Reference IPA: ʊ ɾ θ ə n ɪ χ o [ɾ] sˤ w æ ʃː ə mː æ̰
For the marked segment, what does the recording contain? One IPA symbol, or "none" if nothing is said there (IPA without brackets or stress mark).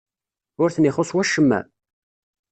none